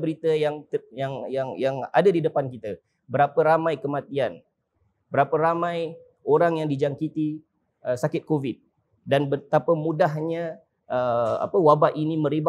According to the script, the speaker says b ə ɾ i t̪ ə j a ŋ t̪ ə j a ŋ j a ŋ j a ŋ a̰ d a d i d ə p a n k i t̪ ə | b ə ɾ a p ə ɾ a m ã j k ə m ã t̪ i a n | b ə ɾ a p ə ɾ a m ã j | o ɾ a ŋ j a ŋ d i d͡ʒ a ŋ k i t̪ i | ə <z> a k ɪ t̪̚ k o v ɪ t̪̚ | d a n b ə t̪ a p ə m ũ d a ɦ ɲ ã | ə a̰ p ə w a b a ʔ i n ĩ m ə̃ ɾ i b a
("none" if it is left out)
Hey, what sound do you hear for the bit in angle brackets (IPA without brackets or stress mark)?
s